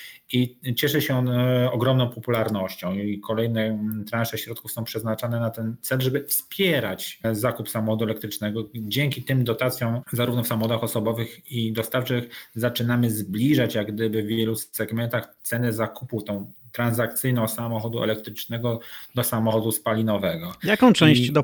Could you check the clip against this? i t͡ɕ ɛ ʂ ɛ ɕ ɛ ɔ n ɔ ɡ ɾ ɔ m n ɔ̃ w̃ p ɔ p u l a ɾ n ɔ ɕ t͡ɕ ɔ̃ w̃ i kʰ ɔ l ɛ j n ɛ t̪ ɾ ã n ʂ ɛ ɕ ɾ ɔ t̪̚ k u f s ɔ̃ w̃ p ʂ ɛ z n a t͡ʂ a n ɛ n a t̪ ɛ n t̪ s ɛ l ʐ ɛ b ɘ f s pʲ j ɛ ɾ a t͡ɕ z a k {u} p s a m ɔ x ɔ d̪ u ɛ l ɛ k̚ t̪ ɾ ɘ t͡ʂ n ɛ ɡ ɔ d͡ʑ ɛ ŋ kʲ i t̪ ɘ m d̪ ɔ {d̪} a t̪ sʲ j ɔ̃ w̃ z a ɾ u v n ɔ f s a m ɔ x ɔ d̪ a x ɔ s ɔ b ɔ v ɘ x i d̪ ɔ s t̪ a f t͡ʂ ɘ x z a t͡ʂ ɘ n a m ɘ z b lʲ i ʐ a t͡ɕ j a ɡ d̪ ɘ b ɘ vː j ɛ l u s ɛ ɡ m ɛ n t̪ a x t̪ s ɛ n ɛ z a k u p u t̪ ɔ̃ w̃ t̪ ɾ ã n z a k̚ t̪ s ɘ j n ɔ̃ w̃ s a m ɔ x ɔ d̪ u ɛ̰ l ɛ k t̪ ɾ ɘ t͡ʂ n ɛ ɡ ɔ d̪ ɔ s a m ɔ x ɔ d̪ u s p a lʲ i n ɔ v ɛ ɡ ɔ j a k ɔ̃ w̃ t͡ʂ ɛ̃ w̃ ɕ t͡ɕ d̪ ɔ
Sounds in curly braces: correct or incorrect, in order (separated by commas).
correct, incorrect